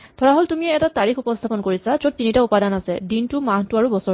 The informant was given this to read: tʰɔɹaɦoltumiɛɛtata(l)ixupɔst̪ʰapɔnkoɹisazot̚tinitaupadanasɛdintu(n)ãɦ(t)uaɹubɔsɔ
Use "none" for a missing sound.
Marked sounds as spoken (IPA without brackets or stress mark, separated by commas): ɹ, m, t